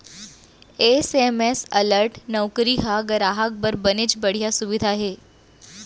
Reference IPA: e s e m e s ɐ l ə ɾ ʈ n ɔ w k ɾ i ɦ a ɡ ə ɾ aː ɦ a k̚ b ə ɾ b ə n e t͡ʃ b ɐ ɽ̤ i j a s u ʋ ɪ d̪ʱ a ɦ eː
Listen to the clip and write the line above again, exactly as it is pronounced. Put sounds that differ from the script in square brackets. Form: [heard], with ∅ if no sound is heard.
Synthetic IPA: e s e m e s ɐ l ə ɾ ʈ n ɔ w k ɾ i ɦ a ɡ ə ɾ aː ɦ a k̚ b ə ɾ b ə n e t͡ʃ b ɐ ɽ̤ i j a s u ʋ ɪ d̪ʱ a ɦ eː